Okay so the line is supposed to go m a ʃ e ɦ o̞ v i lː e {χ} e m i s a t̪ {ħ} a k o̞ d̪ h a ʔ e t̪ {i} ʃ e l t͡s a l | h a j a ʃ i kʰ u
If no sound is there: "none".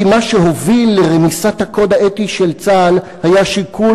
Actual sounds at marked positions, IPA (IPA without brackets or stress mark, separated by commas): ʁ, h, i